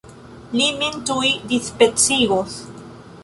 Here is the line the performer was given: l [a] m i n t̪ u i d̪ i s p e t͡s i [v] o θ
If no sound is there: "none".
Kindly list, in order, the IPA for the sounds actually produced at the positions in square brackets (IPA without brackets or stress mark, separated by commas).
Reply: i, ɣ